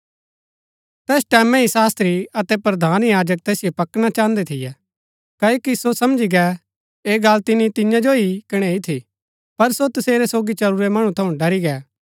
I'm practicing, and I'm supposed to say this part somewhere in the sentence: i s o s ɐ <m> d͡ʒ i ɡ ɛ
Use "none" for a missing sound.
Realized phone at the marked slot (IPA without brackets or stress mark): m